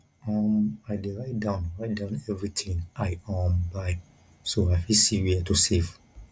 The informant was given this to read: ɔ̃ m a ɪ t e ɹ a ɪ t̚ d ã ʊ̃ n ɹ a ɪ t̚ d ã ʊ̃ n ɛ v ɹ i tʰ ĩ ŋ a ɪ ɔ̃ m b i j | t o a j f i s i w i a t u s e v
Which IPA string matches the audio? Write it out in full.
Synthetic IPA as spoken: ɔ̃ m a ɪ d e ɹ a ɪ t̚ d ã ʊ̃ n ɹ a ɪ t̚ d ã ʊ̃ n ɛ v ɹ i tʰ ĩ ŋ a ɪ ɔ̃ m b a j | s o a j f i s i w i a t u s e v